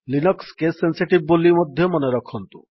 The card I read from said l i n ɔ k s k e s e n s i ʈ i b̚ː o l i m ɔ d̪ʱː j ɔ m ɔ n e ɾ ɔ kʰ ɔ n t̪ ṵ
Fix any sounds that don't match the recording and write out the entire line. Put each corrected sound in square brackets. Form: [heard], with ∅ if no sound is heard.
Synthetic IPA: l i n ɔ k s k e s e n s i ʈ i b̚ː o l i m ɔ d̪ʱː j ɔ m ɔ n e ɾ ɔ kʰ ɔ n t̪ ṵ